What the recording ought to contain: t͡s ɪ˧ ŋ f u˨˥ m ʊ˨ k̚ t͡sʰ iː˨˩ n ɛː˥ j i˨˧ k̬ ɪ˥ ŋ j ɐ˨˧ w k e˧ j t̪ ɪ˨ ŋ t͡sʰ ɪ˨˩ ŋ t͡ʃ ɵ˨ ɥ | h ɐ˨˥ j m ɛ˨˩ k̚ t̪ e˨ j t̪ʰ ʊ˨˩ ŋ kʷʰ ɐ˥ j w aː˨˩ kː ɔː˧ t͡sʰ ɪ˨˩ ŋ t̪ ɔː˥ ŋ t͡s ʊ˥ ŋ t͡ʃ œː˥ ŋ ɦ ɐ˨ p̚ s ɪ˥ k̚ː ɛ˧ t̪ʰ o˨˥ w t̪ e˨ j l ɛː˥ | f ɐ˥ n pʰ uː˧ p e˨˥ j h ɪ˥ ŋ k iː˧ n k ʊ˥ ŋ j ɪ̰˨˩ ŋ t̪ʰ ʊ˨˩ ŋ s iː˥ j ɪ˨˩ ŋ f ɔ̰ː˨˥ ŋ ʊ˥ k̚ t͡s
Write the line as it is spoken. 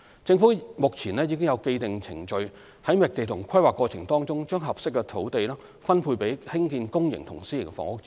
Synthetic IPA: t͡s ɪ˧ ŋ f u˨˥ m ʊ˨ k̚ t͡sʰ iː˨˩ n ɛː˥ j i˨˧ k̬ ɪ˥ ŋ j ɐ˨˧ w k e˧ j t̪ ɪ˨ ŋ t͡sʰ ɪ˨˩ ŋ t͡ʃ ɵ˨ ɥ | h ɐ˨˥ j m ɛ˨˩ k̚ t̪ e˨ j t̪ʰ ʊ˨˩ ŋ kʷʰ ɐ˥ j w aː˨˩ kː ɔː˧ t͡sʰ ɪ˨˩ ŋ t̪ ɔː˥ ŋ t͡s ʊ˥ ŋ t͡ʃ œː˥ ŋ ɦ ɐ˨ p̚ s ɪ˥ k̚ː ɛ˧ t̪ʰ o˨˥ w t̪ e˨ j l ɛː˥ | f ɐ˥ n pʰ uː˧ p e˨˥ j h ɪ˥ ŋ k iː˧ n k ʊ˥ ŋ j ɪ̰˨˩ ŋ t̪ʰ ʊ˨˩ ŋ s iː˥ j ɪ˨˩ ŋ f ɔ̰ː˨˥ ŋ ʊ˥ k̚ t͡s